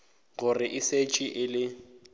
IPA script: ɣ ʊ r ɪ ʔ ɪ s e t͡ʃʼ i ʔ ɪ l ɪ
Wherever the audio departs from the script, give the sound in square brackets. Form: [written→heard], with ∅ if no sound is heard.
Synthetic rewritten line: ɣ ʊ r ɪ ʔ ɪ s e t͡ʃʼ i ʔ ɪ l ɪ